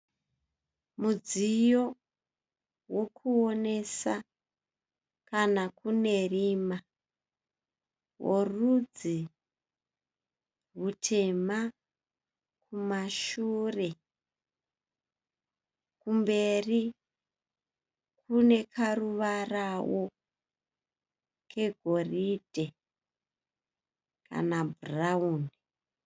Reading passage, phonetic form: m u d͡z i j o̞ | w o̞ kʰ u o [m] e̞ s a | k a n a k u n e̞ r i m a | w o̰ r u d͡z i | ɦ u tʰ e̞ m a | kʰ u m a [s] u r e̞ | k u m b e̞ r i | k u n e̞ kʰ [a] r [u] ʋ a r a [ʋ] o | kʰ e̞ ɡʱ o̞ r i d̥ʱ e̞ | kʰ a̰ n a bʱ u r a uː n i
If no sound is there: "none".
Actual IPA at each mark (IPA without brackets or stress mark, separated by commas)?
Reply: n, ʃ, a, u, w